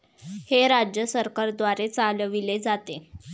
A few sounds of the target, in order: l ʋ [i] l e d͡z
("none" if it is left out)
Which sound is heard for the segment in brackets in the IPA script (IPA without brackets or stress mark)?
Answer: i